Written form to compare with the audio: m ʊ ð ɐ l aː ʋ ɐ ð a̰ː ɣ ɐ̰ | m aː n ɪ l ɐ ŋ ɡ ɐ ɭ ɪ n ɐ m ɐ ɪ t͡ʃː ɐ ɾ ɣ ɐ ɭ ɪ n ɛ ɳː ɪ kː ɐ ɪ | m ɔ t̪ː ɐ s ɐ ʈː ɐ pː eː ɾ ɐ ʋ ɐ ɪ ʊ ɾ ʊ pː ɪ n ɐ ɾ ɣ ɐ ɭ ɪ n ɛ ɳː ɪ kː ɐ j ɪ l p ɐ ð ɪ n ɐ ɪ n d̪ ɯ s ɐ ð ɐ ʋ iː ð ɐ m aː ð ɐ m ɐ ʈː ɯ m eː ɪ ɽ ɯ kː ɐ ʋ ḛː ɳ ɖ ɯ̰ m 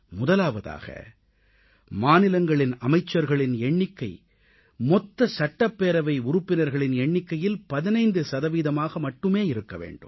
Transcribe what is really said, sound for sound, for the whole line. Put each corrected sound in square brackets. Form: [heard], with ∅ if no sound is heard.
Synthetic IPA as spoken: m ʊ ð ɐ l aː ʋ ɐ ð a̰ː ɣ ɐ̰ | m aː n ɪ l ɐ ŋ ɡ ɐ ɭ ɪ n ɐ m ɐ ɪ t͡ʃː ɐ ɾ ɣ ɐ ɭ ɪ n ɛ ɳː ɪ kː ɐ ɪ | m ɔ t̪ː ɐ s ɐ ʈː ɐ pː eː ɾ ɐ ʋ ɐ ɪ ʊ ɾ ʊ pː ɪ n ɐ ɾ ɣ ɐ ɭ ɪ n ɛ ɳː ɪ kː ɐ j ɪ l p ɐ ð ɪ n ɐ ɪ n d̪ ɯ s ɐ ð ɐ ʋ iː ð ɐ m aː [ɣ] ɐ m ɐ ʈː ɯ m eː ɪ [ɾ] ɯ kː ɐ ʋ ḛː ɳ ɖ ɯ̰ m